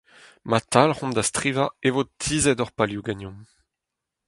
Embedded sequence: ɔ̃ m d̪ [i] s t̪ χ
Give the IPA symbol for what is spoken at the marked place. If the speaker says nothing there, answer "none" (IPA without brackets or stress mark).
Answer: a